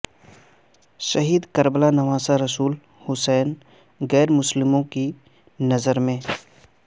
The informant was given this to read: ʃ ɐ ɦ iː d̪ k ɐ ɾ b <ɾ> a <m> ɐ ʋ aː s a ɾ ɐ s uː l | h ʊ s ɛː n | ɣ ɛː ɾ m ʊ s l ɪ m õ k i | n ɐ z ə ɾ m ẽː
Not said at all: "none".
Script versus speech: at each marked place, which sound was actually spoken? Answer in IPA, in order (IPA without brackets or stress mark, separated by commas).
l, n